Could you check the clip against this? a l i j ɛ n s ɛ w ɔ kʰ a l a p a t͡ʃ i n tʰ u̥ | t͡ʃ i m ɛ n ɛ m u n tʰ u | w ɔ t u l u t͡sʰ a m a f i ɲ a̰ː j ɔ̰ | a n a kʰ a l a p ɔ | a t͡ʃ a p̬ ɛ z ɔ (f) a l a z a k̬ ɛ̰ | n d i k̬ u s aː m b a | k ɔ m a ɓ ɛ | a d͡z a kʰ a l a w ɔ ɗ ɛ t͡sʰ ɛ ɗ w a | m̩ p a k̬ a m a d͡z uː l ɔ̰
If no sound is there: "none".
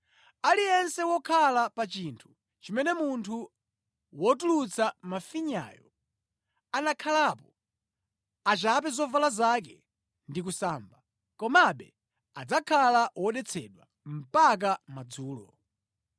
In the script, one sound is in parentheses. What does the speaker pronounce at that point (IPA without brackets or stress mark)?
v